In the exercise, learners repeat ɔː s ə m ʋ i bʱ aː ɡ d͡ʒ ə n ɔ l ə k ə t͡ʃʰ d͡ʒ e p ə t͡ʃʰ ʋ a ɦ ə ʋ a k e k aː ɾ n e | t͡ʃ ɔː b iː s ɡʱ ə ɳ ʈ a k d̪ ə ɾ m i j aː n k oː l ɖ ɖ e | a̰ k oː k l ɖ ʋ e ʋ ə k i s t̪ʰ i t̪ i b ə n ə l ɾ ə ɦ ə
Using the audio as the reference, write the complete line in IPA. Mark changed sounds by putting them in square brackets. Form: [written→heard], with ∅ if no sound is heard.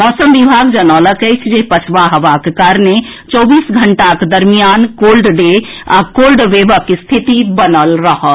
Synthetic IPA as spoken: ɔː s ə m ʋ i bʱ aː ɡ d͡ʒ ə n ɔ l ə k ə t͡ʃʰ d͡ʒ e p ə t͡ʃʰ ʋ a ɦ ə ʋ a k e k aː ɾ n e | t͡ʃ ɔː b iː s ɡʱ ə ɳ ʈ a k d̪ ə ɾ m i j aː n k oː l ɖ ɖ e | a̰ k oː [k→∅] l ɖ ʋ e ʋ ə k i s t̪ʰ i t̪ i b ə n ə l ɾ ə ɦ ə